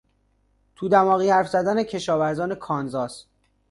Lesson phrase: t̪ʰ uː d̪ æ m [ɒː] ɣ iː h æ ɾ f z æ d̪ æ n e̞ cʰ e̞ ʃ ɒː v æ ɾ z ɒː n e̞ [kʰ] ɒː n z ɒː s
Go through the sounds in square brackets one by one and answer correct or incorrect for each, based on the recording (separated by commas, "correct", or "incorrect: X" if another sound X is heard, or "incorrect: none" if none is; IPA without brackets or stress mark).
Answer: correct, correct